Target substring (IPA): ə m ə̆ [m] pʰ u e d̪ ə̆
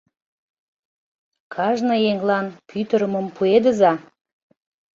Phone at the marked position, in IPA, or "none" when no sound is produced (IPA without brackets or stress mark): m